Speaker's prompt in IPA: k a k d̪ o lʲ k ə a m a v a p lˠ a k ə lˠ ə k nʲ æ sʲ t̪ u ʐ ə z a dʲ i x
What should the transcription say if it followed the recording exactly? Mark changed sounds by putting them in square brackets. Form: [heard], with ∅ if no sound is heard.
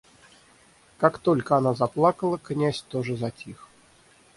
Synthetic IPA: k a k [t̪] o lʲ k ə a [n] a [z] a p lˠ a k ə lˠ ə k nʲ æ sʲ t̪ [o] ʐ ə z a [tʲ] i x